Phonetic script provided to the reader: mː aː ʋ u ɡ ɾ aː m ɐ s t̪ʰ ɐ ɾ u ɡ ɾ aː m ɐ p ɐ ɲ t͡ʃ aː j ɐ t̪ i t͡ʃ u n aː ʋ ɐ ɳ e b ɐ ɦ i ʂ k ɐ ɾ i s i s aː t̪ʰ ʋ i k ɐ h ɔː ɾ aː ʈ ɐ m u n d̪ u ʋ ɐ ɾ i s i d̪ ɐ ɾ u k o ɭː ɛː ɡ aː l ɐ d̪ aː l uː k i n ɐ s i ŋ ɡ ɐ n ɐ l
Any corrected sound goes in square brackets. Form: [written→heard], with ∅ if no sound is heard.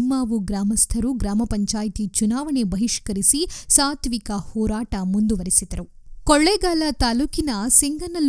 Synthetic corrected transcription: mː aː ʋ u ɡ ɾ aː m ɐ s t̪ʰ ɐ ɾ u ɡ ɾ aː m ɐ p ɐ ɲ t͡ʃ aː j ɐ t̪ i t͡ʃ u n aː ʋ ɐ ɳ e b ɐ ɦ i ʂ k ɐ ɾ i s i s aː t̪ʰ ʋ i k ɐ h ɔː ɾ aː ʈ ɐ m u n d̪ u ʋ ɐ ɾ i s i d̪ ɐ ɾ u k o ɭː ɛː ɡ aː l ɐ [d̪→t̪] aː l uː k i n ɐ s i ŋ ɡ ɐ n ɐ l